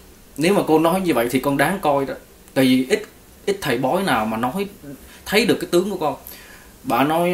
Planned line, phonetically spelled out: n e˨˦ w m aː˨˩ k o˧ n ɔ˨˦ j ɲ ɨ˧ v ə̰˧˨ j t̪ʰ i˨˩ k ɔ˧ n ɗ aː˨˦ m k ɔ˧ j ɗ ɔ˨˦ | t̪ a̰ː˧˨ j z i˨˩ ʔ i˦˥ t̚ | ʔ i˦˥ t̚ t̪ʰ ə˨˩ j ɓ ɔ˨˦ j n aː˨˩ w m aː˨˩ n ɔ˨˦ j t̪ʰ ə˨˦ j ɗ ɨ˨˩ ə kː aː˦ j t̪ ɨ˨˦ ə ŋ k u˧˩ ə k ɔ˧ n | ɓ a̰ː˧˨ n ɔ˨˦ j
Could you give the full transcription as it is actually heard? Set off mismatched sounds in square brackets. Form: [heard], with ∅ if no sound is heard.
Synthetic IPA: n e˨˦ w m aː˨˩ k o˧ n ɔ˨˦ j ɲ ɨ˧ v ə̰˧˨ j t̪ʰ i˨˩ k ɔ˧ n ɗ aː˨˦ [ŋ] k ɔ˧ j ɗ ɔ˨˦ | t̪ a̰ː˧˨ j [v] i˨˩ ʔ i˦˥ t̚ | ʔ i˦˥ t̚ t̪ʰ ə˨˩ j ɓ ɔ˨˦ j n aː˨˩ w m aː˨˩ n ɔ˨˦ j t̪ʰ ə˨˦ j ɗ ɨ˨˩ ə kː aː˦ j t̪ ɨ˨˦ ə ŋ k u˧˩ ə k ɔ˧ n | ɓ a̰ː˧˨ n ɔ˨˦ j